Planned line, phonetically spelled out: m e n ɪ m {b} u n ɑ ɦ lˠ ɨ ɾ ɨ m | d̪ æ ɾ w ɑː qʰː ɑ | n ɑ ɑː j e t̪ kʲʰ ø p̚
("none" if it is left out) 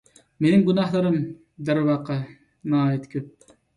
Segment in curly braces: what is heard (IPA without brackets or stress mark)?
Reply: ɡ